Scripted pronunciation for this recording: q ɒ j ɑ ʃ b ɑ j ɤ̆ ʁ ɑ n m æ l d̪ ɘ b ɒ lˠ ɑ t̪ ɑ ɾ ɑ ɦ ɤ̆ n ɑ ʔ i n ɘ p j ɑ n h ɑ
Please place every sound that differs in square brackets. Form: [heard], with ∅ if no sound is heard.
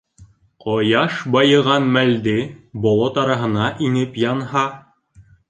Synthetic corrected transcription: q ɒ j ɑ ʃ b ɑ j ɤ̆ ʁ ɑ n m æ l d̪ ɘ b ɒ lˠ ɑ t̪ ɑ ɾ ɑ ɦ ɤ̆ n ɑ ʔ i n ɘ p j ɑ n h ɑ